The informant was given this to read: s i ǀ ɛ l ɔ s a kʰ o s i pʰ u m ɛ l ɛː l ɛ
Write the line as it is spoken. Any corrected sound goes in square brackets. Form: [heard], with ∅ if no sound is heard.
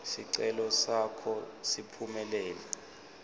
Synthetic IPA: s i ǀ ɛ l ɔ s a kʰ [ɔ] s i pʰ u m ɛ l ɛː l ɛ